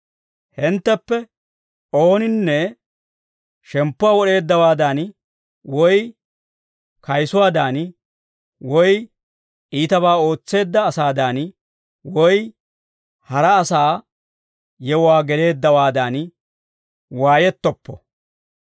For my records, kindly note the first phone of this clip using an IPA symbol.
h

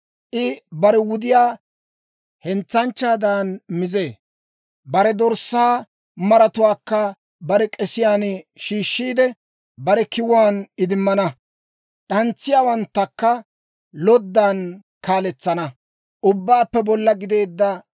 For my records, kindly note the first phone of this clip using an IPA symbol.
ʔ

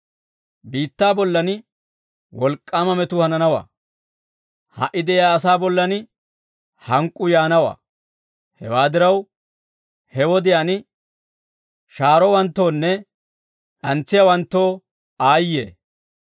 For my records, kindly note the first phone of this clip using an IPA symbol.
b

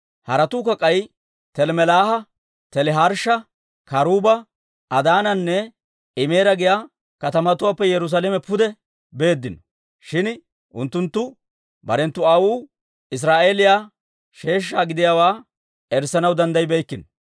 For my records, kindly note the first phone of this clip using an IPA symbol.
h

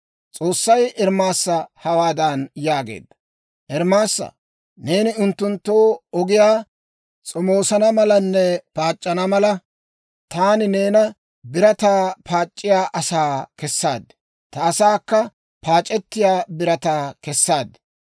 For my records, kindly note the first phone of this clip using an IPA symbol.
t͡sʼ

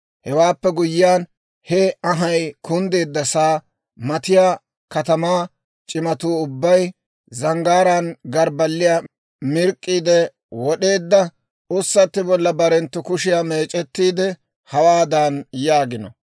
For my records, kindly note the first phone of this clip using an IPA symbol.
h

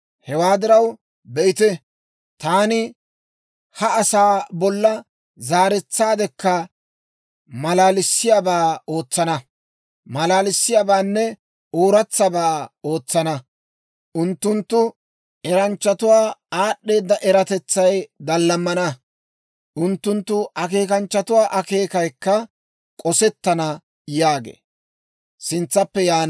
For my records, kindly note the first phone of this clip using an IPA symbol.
h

